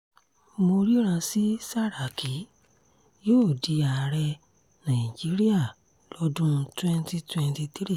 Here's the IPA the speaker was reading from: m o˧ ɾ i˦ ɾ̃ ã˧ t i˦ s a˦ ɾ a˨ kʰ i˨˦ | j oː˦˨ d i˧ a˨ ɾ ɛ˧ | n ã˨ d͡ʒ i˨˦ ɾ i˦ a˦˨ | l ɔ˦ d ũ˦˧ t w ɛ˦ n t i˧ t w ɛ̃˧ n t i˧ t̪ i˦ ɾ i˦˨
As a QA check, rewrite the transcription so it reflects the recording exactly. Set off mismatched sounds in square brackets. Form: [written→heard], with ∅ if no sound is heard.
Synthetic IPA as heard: m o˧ ɾ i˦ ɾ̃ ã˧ [t→s] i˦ s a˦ ɾ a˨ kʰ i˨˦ | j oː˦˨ d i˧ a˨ ɾ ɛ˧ | n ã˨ d͡ʒ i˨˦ ɾ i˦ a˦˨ | l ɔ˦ d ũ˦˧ t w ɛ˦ n t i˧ t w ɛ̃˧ n t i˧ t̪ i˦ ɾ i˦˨